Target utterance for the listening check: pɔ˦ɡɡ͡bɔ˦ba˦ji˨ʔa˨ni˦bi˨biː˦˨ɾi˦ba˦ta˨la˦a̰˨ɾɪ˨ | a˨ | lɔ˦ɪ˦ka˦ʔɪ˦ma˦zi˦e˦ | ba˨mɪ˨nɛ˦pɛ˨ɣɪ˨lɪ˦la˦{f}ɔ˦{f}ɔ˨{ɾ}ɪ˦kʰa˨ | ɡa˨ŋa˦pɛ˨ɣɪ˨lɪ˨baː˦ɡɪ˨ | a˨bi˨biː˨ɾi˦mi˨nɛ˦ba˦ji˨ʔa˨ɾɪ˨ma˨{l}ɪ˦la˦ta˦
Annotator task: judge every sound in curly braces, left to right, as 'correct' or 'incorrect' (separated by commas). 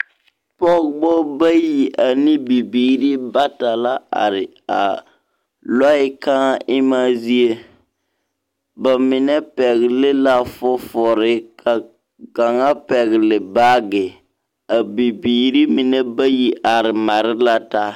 correct, correct, correct, incorrect